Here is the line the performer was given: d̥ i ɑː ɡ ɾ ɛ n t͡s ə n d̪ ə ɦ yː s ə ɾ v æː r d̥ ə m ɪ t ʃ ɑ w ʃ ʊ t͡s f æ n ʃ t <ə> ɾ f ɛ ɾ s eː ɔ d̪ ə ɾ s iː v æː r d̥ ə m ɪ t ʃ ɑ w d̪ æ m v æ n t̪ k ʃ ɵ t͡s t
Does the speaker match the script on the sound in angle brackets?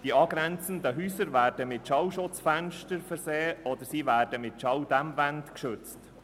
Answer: yes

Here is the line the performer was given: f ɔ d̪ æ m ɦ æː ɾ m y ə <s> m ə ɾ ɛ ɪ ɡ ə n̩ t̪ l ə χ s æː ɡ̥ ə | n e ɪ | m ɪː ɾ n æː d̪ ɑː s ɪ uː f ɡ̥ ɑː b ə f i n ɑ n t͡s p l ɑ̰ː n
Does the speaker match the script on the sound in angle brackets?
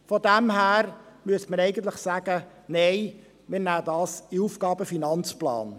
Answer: yes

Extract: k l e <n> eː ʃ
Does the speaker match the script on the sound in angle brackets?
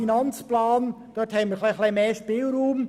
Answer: no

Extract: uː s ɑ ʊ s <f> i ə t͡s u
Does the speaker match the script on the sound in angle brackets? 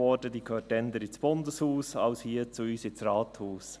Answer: no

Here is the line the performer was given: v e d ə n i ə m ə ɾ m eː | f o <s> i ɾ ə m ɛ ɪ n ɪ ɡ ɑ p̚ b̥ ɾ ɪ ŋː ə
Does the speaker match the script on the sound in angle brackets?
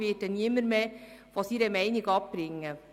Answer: yes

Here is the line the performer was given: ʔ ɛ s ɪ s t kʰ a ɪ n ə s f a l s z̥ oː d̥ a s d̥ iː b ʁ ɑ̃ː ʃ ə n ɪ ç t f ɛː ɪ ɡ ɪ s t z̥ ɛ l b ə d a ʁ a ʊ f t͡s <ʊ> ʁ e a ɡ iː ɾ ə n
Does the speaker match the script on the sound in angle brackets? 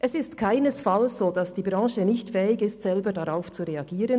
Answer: no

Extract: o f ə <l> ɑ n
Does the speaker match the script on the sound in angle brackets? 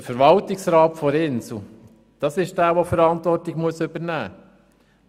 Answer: no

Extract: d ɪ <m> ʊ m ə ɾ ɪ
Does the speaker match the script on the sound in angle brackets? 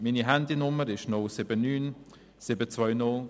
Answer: no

